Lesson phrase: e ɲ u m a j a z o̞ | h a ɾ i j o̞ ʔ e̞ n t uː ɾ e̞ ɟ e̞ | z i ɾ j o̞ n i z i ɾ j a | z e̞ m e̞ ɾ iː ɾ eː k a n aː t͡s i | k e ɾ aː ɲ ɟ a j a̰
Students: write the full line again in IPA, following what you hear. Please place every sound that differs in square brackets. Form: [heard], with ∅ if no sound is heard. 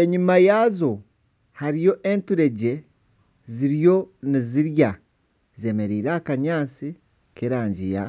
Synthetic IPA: e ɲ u m a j a z o̞ | h a ɾ i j o̞ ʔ e̞ n t [u] ɾ e̞ ɟ e̞ | z i ɾ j o̞ n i z i ɾ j a | z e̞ m e̞ ɾ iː ɾ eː k a [ɲ] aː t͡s i | k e ɾ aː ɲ ɟ [i] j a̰

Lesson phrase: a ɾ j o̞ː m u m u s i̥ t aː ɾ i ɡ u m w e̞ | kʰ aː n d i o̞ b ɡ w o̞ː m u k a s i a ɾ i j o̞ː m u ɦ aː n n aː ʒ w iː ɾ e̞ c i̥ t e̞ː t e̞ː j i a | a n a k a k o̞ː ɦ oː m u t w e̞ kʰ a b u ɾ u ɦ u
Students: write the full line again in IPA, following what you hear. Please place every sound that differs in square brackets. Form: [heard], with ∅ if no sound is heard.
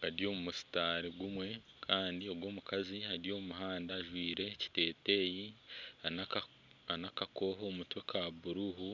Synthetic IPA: a ɾ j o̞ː m u m u s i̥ t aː ɾ i ɡ u m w e̞ | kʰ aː n d i o̞ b ɡ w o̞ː m u k a [z] i a ɾ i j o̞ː m u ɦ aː n [d] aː ʒ w iː ɾ e̞ c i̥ t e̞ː t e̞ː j i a | a n a k a k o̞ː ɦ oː m u t w e̞ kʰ a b u ɾ u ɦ u

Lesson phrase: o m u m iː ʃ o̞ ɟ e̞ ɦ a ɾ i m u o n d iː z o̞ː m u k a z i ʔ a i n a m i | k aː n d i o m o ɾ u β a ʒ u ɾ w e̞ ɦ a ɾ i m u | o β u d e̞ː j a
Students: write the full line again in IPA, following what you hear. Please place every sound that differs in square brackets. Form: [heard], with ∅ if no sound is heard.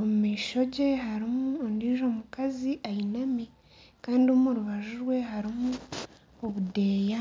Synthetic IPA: o m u m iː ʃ o̞ ɟ e̞ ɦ a ɾ i m u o n d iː [ʒ] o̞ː m u k a z i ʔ a i n a m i | k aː n d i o m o ɾ u β a ʒ u ɾ w e̞ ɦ a ɾ i m u | o β u d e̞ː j a

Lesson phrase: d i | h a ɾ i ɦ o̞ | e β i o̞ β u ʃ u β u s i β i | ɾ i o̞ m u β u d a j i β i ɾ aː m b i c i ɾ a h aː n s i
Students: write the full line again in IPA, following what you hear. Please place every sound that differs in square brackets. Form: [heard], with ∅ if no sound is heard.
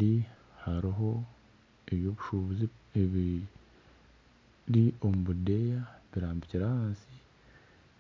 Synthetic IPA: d i | h a ɾ i ɦ o̞ | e β [j] o̞ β u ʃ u β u [z] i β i | ɾ i o̞ m u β u d [e] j [a] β i ɾ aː m b i c i ɾ a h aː n s i

